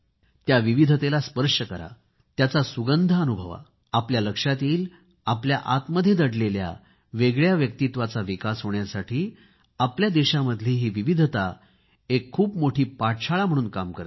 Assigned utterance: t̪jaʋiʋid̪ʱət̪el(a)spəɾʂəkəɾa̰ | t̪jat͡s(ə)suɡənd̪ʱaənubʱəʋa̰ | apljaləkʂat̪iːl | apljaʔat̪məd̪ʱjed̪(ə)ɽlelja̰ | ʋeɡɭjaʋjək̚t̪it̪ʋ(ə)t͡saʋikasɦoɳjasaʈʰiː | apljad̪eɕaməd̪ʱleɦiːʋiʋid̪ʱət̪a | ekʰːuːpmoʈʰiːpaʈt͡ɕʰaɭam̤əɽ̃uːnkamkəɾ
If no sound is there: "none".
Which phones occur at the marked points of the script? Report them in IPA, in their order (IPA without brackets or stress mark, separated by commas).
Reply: a, a, ə, a